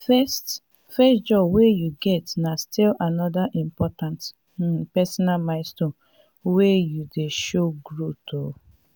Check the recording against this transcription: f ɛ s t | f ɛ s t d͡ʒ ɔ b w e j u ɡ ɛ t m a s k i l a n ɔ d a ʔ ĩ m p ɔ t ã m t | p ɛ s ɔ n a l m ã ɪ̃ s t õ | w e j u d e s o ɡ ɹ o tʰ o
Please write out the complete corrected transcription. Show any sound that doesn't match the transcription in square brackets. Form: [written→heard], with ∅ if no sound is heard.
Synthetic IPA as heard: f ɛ s t | f ɛ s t d͡ʒ ɔ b w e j u ɡ ɛ t [m→n] a s [k→t] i l a n ɔ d a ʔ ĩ m p ɔ t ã [m→n] t | p ɛ s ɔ n a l m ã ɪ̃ s t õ | w e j u d e [s→ʃ] o ɡ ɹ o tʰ o